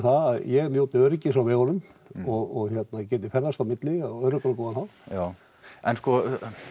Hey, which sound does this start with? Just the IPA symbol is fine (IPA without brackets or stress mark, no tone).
θ